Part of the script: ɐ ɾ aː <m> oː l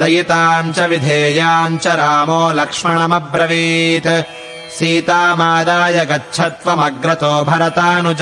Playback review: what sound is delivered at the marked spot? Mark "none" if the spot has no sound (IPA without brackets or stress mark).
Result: m